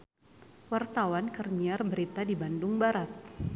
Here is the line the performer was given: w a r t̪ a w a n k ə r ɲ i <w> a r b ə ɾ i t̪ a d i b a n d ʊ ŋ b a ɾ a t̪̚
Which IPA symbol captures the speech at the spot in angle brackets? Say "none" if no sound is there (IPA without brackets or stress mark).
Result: none